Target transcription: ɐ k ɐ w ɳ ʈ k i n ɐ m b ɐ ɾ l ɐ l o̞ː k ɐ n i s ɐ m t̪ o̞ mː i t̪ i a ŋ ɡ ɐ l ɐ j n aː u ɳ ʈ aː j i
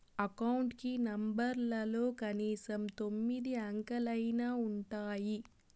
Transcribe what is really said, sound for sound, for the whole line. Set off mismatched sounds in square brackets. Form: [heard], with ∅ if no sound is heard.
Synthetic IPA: ɐ k ɐ w ɳ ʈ k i n ɐ m b ɐ ɾ l ɐ l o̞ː k ɐ n [iː] s ɐ m t̪ o̞ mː i [d̪] i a ŋ [k] ɐ l ɐ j n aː u ɳ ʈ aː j i